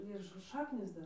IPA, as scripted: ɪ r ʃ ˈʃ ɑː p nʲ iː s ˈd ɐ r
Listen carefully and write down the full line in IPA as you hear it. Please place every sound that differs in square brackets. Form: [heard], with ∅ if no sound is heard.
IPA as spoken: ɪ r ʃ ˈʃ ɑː [k] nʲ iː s ˈd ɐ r